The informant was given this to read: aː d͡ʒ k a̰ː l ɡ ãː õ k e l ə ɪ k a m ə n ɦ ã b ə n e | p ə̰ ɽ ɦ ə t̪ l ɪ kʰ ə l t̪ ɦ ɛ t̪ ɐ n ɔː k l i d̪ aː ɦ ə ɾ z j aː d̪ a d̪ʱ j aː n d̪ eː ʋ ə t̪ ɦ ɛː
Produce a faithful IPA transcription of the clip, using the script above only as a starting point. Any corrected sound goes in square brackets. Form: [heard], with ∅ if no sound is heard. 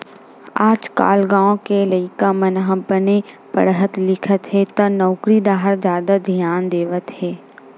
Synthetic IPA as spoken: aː d͡ʒ k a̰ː l ɡ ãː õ k e l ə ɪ k a m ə n ɦ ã b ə n e | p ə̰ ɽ ɦ ə t̪ l ɪ kʰ ə [∅] t̪ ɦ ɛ t̪ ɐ n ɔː k [ɾ] i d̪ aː ɦ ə ɾ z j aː d̪ a d̪ʱ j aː n d̪ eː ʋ ə t̪ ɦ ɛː